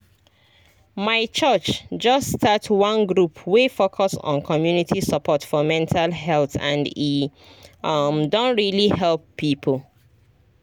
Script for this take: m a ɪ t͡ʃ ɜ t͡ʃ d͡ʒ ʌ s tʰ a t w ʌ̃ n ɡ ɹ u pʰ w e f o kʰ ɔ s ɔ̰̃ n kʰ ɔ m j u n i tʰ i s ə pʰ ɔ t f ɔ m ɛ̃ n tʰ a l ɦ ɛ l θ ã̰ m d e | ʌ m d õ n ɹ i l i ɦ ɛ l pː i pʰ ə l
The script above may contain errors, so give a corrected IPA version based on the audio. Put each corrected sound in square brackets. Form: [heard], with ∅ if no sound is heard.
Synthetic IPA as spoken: m a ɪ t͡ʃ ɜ t͡ʃ d͡ʒ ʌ s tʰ a t w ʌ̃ n ɡ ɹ u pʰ w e f o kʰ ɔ s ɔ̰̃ n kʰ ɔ m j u n i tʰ i s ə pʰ ɔ t f ɔ m ɛ̃ n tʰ a l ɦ ɛ l θ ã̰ [n] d [i] | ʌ m d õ n ɹ i l i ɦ ɛ l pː i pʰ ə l